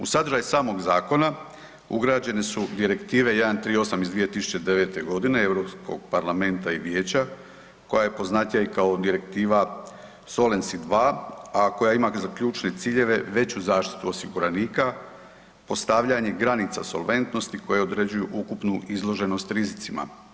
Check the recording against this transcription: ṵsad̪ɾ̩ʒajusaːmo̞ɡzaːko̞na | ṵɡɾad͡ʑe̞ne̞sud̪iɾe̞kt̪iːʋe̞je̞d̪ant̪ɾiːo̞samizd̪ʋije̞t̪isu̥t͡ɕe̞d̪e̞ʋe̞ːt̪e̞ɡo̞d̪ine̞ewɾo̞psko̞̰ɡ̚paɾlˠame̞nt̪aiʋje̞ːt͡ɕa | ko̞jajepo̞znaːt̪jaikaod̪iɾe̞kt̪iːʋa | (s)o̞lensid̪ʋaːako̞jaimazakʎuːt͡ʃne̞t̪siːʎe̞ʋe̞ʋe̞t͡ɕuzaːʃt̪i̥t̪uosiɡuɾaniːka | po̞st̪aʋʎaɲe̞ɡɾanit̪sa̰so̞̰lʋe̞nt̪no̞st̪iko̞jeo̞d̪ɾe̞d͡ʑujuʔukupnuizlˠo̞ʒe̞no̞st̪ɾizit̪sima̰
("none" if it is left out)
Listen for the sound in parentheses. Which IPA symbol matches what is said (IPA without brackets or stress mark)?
s